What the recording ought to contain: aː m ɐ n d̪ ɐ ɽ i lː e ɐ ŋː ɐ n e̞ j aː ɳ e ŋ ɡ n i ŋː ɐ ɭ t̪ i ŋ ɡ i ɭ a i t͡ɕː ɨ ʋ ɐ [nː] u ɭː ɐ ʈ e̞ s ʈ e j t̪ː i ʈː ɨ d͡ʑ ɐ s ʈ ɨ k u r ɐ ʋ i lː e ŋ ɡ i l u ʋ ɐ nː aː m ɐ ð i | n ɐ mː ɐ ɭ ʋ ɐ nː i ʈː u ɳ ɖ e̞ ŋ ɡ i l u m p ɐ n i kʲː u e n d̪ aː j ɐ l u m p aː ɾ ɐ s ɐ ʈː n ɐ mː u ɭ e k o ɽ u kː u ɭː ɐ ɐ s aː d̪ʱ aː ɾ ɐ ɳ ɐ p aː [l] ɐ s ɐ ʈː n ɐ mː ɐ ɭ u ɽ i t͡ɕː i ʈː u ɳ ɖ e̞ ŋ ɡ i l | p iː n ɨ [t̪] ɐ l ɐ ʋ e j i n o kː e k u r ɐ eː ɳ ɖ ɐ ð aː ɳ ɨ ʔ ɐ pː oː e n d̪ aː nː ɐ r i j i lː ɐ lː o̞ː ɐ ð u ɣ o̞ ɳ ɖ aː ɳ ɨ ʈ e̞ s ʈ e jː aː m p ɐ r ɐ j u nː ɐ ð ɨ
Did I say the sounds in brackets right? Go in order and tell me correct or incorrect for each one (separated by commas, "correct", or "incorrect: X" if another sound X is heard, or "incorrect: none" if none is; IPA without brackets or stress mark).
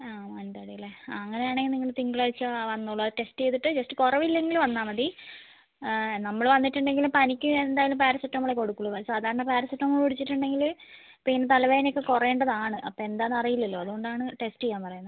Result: correct, incorrect: ɾ, correct